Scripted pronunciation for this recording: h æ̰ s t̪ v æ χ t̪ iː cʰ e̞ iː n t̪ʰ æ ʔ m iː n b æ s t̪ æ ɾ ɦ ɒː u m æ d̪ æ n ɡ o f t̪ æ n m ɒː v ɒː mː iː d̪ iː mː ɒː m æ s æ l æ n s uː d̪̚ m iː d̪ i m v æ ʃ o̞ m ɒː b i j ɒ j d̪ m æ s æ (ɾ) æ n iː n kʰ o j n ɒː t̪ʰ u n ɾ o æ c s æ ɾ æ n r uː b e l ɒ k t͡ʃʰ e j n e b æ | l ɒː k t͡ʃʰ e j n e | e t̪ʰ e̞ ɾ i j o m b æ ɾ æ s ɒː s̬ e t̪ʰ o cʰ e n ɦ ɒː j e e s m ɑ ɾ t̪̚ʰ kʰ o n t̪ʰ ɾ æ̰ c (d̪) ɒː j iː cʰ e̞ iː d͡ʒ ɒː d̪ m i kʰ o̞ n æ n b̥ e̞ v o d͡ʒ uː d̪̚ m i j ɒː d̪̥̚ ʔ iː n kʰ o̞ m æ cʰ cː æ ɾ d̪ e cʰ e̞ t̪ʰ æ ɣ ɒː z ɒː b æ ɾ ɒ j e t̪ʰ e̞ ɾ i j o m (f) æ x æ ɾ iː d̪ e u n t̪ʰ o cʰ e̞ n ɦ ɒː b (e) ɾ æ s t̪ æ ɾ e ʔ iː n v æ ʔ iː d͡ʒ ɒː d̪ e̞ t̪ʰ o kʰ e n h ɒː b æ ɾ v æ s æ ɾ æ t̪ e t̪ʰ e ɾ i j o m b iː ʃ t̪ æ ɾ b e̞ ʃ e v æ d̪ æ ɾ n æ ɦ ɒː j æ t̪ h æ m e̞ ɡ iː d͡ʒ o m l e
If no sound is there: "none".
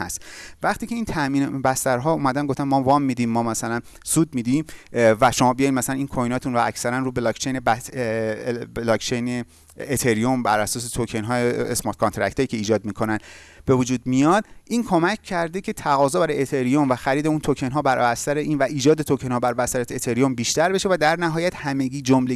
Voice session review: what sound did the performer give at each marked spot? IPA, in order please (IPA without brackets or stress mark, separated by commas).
l, t̪, v, æ